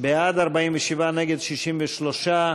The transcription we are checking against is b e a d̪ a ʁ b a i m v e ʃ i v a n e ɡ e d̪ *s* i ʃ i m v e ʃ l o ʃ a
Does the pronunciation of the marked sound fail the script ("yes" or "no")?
yes